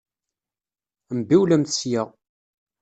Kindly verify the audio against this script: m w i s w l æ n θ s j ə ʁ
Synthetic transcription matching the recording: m b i w l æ m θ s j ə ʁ